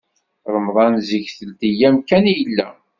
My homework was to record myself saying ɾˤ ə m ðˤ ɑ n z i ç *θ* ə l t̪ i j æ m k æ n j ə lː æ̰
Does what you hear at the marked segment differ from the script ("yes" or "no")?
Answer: no